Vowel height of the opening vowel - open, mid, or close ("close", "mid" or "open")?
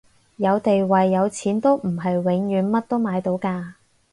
open